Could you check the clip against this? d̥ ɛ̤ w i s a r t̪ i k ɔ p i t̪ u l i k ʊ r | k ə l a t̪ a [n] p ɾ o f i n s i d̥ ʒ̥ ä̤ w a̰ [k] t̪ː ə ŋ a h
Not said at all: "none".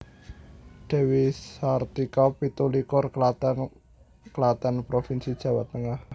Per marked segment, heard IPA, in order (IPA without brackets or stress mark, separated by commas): n, none